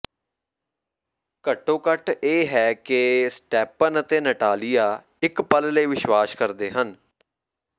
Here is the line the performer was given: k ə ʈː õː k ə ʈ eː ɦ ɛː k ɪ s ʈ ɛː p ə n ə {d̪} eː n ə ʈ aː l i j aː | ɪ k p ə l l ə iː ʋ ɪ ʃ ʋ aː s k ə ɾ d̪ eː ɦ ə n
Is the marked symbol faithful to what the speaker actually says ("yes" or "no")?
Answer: no